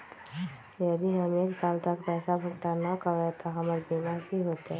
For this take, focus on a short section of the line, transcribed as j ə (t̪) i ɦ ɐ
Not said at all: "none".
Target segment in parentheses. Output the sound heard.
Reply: d̪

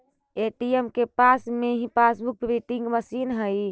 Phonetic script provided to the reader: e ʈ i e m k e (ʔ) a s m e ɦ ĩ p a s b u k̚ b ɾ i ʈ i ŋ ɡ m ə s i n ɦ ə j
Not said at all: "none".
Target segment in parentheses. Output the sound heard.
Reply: p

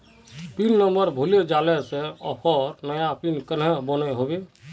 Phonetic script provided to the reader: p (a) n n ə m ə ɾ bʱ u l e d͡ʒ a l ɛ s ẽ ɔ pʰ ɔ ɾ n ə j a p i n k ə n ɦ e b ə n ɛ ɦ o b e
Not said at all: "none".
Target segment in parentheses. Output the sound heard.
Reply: i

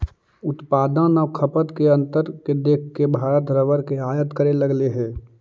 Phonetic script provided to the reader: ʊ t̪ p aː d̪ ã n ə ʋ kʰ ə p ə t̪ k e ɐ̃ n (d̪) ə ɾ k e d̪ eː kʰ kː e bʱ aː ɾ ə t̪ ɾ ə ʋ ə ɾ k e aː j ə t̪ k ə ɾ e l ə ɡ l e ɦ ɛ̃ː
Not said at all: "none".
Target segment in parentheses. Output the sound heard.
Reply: t̪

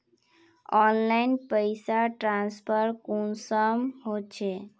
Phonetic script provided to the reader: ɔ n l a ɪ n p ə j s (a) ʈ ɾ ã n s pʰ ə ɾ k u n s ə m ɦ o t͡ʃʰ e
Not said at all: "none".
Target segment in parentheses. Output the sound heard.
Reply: a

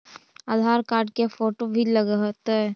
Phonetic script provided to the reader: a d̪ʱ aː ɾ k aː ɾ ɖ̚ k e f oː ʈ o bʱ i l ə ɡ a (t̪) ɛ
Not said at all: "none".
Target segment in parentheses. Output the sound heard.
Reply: t̪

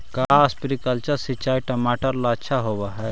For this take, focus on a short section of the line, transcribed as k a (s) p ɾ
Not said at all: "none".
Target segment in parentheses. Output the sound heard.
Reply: s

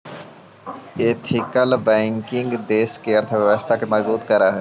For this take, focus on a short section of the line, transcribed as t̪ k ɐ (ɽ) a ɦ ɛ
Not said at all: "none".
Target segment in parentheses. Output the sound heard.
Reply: ɾ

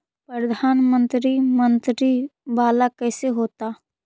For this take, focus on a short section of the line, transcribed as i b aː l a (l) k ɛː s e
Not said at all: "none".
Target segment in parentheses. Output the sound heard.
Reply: none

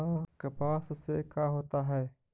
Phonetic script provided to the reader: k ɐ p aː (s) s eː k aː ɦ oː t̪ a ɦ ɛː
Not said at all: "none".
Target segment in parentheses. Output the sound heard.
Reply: s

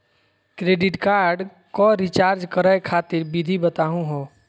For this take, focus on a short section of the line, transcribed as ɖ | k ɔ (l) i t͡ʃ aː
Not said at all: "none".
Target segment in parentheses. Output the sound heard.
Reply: ɾ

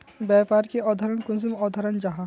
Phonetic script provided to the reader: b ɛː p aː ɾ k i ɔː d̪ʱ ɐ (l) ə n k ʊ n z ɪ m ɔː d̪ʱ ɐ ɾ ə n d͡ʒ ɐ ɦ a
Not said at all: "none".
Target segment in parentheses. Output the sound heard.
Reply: ɾ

